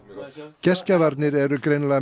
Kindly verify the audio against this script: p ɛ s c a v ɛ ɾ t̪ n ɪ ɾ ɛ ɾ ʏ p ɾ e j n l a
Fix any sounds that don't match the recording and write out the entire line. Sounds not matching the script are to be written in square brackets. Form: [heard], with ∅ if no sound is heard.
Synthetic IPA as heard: [c] ɛ s c a v [a] ɾ t̪ n ɪ ɾ ɛ ɾ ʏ [k] ɾ e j n l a